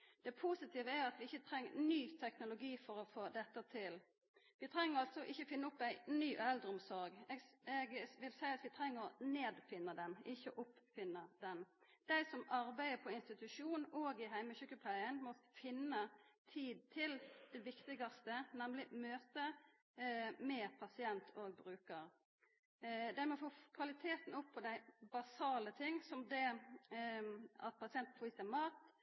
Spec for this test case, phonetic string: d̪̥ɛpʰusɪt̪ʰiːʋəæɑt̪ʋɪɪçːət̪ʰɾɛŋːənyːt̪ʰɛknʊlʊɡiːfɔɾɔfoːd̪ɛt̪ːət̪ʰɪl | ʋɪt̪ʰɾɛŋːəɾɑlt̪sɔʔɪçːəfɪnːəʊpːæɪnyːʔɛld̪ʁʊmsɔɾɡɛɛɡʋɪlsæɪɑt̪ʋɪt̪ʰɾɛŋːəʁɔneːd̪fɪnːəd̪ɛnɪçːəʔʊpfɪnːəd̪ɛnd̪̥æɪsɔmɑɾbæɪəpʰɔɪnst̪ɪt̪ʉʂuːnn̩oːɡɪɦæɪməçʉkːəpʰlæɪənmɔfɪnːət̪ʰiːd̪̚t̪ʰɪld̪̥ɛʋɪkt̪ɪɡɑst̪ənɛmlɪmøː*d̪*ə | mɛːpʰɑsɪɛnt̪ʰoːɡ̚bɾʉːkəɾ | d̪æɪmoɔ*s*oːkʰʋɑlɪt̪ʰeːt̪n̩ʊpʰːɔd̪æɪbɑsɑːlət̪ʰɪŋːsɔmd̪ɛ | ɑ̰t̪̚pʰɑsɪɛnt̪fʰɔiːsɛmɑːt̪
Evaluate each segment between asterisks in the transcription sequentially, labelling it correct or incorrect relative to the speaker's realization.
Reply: incorrect, incorrect

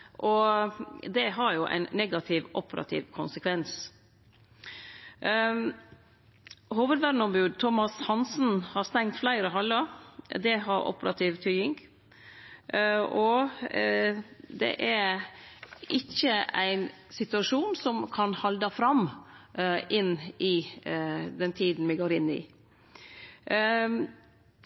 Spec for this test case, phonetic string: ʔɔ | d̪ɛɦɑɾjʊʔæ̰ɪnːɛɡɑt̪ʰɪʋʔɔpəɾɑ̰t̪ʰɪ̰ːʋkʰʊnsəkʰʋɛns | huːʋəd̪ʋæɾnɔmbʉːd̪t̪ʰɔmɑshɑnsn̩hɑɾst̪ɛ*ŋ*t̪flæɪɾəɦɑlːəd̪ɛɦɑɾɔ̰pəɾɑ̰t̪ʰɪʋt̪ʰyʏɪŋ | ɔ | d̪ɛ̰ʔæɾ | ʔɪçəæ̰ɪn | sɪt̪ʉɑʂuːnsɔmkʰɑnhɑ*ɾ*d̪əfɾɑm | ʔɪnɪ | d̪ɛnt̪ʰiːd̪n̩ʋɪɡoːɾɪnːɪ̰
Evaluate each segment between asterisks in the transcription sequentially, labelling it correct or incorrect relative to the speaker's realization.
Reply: correct, incorrect

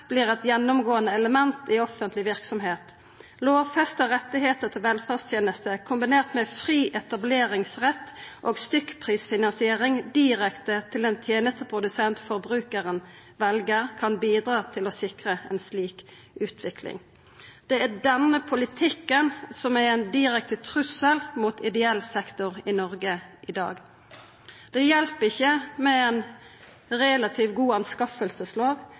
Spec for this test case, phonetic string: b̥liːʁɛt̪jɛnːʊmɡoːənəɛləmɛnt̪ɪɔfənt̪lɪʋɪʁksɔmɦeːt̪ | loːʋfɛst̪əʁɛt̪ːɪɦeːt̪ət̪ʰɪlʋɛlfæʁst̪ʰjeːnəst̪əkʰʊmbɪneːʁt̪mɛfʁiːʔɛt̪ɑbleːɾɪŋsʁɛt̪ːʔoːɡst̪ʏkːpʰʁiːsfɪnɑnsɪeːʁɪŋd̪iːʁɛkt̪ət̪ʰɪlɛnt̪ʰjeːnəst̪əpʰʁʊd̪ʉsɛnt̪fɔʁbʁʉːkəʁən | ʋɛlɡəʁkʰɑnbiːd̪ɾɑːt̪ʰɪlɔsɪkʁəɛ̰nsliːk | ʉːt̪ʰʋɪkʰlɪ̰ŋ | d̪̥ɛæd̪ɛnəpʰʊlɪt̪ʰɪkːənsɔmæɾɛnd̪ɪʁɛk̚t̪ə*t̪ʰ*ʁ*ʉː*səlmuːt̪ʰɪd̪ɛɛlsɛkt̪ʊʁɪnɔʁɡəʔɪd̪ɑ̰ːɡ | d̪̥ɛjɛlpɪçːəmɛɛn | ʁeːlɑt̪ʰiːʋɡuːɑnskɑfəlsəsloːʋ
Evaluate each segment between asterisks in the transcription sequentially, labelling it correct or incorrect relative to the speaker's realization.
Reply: correct, incorrect

